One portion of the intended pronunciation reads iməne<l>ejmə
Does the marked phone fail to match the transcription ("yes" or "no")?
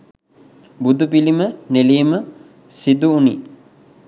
no